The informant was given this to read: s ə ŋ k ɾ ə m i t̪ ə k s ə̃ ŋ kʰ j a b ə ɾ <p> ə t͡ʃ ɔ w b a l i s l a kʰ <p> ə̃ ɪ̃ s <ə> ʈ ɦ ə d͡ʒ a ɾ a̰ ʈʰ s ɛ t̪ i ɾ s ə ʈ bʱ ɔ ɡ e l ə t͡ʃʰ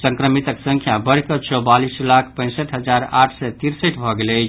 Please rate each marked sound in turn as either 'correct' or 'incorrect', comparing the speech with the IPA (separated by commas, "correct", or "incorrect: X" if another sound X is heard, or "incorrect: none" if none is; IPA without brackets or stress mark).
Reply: incorrect: k, correct, correct